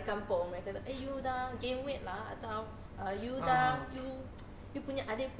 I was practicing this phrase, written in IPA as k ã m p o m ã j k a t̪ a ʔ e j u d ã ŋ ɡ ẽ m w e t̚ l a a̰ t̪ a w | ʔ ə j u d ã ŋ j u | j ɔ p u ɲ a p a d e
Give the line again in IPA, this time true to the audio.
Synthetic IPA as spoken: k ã m p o m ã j k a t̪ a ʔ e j u d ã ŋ ɡ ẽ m w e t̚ l a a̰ t̪ a w | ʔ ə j u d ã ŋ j u | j u p u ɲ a ʔ a d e